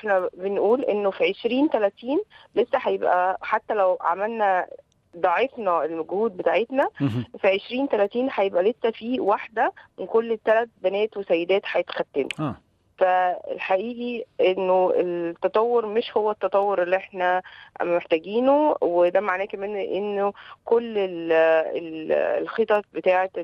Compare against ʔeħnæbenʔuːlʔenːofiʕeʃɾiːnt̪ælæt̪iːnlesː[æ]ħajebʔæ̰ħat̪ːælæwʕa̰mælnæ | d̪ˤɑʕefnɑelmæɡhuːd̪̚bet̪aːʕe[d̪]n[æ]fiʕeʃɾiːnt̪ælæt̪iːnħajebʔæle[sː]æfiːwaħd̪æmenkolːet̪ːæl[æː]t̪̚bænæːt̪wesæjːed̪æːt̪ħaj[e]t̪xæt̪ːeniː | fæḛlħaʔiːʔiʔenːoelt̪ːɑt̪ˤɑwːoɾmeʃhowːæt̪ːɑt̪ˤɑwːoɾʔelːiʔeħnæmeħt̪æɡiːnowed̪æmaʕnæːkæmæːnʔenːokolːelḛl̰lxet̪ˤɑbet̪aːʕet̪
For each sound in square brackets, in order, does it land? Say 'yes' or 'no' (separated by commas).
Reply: yes, no, yes, yes, no, yes